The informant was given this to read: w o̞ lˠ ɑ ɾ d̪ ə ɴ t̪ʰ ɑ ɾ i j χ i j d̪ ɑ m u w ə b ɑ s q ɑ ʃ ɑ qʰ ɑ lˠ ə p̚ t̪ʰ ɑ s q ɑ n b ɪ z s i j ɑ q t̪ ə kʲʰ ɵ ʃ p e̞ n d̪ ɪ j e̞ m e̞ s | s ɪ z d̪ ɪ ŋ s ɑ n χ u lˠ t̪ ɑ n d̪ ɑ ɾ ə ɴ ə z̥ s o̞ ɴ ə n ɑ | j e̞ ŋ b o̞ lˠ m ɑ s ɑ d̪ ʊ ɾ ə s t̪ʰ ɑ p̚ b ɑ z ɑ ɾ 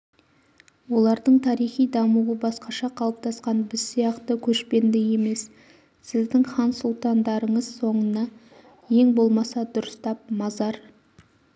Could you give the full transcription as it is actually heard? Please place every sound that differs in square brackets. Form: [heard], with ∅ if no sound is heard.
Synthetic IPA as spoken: w o̞ lˠ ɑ ɾ d̪ ə ɴ t̪ʰ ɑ ɾ i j χ i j d̪ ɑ m u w ə b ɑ s q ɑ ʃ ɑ qʰ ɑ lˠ ə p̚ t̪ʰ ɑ s q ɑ n b ɪ z s i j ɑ q t̪ ə kʲʰ ɵ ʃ p e̞ n d̪ ɪ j e̞ m e̞ s | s ɪ z d̪ ɪ ŋ [χ] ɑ n [s] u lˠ t̪ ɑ n d̪ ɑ ɾ ə ɴ ə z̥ s o̞ ɴ ə n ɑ | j e̞ ŋ b o̞ lˠ m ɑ s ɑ d̪ ʊ ɾ ə s [t̪] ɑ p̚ [m] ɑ z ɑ ɾ

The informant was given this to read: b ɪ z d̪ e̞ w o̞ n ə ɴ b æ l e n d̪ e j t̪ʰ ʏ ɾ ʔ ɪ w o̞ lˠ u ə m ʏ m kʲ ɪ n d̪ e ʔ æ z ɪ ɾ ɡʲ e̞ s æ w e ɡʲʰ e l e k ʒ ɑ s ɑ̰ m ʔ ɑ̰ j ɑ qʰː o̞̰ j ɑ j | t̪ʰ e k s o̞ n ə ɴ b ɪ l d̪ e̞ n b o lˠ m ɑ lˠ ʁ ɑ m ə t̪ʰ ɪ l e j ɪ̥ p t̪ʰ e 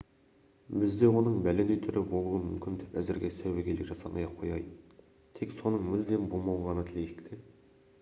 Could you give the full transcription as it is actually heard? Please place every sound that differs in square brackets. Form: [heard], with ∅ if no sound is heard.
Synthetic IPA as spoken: b ɪ z d̪ e̞ w o̞ n ə ɴ b æ l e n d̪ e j t̪ʰ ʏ ɾ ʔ ɪ [b] o̞ lˠ u ə m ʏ m kʲ ɪ n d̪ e [p] æ z ɪ ɾ ɡʲ e̞ s æ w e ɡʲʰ e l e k ʒ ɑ s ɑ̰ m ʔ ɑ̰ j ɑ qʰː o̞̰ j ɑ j | t̪ʰ e k s o̞ n ə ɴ [m] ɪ l d̪ e̞ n b o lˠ m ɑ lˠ ʁ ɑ [n] ə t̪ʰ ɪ l e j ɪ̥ [k] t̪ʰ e

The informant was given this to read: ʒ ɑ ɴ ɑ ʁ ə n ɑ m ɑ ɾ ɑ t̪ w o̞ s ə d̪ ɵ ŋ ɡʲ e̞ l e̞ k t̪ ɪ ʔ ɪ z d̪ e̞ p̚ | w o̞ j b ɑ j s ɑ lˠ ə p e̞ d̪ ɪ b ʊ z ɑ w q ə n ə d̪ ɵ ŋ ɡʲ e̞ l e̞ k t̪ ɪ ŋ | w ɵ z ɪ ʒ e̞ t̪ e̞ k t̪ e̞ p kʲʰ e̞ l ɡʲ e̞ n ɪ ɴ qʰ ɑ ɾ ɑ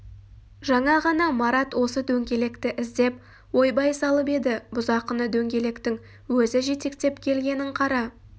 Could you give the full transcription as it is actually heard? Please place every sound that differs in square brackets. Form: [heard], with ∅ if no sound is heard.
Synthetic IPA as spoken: ʒ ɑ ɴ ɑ ʁ [ɑ] n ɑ m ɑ ɾ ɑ t̪ w o̞ s ə d̪ ɵ ŋ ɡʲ e̞ l e̞ k t̪ ɪ ʔ ɪ z d̪ e̞ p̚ | w o̞ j b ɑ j s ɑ lˠ ə p e̞ d̪ ɪ b ʊ z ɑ [∅] q ə n ə d̪ ɵ ŋ ɡʲ e̞ l e̞ k t̪ ɪ ŋ | w ɵ z ɪ ʒ e̞ t̪ e̞ k t̪ e̞ p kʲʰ e̞ l ɡʲ e̞ n ɪ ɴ qʰ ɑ ɾ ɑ

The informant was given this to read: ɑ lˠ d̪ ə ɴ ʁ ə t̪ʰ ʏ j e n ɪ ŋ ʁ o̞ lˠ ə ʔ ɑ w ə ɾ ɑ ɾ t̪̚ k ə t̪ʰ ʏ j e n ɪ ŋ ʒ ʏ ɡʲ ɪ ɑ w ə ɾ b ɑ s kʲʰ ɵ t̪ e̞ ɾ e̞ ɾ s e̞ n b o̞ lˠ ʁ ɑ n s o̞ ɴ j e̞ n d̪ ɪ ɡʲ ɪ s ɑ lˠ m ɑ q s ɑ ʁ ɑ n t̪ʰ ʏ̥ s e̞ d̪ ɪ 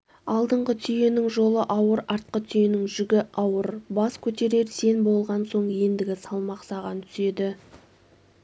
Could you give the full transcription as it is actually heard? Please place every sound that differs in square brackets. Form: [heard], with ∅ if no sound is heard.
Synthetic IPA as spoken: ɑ lˠ d̪ ə ɴ ʁ ə t̪ʰ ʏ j e n ɪ ŋ [ʒ] o̞ lˠ ə ʔ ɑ w ə ɾ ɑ ɾ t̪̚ [q] ə t̪ʰ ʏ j e n ɪ ŋ ʒ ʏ ɡʲ ɪ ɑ w ə ɾ b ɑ s kʲʰ ɵ t̪ e̞ ɾ e̞ ɾ s e̞ n b o̞ lˠ ʁ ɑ n s o̞ ɴ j e̞ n d̪ ɪ ɡʲ ɪ s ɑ lˠ m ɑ q s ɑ ʁ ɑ n t̪ʰ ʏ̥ s e̞ d̪ ɪ

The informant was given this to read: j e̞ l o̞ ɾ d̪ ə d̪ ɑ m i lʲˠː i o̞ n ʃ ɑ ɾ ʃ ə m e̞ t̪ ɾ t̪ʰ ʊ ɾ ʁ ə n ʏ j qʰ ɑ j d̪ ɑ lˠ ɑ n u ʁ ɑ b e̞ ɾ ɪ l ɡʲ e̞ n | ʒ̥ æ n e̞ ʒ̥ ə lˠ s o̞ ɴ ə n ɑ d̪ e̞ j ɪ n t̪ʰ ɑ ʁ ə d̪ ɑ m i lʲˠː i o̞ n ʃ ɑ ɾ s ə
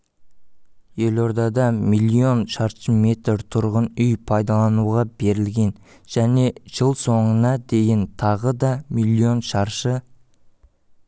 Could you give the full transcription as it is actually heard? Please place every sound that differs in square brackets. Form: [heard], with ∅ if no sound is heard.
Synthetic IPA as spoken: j e̞ l o̞ ɾ d̪ [ɑ] d̪ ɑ m i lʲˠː i o̞ n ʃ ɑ ɾ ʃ ə m e̞ t̪ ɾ t̪ʰ ʊ ɾ ʁ ə n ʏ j [pʰ] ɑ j d̪ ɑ lˠ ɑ n u ʁ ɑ b e̞ ɾ ɪ l ɡʲ e̞ n | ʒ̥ æ n e̞ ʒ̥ ə lˠ s o̞ ɴ ə n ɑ d̪ e̞ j ɪ n t̪ʰ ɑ ʁ ə d̪ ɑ m i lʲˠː i o̞ n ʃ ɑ ɾ [ʃ] ə

